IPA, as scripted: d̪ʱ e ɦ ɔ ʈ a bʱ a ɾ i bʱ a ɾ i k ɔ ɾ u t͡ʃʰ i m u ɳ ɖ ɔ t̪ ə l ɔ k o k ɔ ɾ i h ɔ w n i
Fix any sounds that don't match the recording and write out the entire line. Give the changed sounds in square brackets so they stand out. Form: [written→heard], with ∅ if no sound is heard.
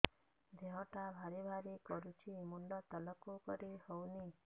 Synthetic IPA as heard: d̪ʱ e ɦ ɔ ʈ a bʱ a ɾ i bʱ a ɾ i k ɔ ɾ u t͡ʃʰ i m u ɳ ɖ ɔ t̪ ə l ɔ k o k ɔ ɾ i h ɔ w n i